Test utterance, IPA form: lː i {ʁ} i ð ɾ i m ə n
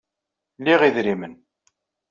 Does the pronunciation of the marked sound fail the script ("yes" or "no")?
no